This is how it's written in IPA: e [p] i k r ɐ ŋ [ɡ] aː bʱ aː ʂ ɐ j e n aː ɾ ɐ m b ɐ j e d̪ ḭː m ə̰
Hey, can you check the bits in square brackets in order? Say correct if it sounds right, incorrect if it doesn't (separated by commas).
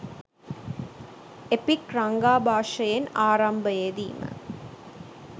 correct, correct